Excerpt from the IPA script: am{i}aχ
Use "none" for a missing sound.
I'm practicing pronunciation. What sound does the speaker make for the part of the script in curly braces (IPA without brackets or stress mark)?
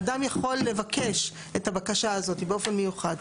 j